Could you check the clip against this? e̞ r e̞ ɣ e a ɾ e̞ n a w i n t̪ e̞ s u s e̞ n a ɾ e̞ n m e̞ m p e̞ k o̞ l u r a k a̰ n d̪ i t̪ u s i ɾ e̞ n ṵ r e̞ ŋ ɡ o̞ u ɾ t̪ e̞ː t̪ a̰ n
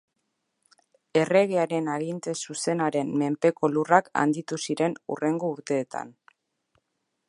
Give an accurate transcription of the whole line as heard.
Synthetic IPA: e̞ r e̞ ɣ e a ɾ e̞ n a ɣ i n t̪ e̞ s u s e̞ n a ɾ e̞ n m e̞ m p e̞ k o̞ l u r a k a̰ n d̪ i t̪ u s i ɾ e̞ n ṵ r e̞ ŋ ɡ o̞ u ɾ t̪ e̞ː t̪ a̰ n